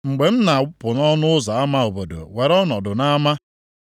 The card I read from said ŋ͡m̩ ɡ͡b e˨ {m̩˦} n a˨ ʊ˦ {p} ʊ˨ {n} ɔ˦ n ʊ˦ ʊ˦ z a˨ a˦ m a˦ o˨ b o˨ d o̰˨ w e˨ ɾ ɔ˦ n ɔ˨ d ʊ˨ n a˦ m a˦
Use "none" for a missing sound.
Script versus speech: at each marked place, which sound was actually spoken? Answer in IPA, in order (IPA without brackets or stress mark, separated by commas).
m̩˦, p, n